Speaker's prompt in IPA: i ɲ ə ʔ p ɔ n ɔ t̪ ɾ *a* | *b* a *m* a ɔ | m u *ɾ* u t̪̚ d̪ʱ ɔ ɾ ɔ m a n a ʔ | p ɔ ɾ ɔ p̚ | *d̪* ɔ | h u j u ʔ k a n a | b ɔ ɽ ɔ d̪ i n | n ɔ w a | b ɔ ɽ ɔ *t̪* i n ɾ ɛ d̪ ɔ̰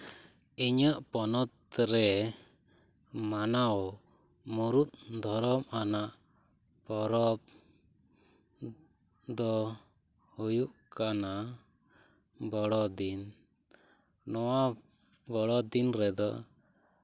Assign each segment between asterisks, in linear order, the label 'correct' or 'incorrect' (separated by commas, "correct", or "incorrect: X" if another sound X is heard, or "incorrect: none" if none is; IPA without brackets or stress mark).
incorrect: ɛ, incorrect: m, incorrect: n, correct, correct, incorrect: d̪